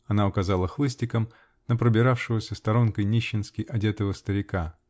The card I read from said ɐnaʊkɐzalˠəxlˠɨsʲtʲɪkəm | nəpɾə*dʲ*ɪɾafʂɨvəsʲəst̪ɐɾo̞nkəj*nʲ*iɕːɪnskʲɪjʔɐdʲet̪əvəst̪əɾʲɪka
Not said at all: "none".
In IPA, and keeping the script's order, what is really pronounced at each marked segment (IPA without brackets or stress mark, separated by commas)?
bʲ, nʲ